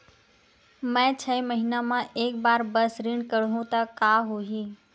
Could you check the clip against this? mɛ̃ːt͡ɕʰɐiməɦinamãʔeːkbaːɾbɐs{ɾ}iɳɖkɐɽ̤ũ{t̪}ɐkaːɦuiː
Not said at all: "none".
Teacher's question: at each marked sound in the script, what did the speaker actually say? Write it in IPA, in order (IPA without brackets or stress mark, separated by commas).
ɾ, t̪